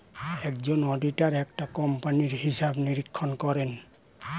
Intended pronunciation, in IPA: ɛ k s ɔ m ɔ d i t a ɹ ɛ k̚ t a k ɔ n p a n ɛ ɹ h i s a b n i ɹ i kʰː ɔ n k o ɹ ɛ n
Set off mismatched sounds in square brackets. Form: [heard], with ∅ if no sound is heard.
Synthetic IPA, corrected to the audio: ɛ k [z] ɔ [n] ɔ d i t a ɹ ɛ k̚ t a k ɔ [m] p a n [i] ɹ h i s a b n i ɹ i kʰː ɔ n k [ɔ] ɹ ɛ n